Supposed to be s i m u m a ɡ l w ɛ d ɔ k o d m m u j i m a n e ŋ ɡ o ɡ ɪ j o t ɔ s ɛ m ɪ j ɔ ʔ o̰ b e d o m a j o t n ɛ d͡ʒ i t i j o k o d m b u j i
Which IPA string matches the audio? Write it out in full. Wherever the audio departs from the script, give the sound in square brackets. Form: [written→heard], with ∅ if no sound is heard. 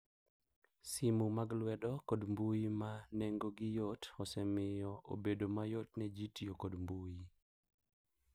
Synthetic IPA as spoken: s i m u m a ɡ l w ɛ d ɔ k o d m [m→b] u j i m a n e ŋ ɡ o ɡ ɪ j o t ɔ s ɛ m ɪ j ɔ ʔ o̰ b e d o m a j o t n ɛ d͡ʒ i t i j o k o d m b u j i